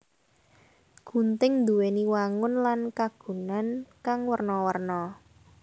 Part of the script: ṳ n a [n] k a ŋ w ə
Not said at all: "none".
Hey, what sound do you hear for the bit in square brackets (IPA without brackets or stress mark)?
n